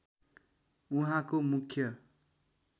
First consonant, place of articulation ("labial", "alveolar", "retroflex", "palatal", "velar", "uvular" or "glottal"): glottal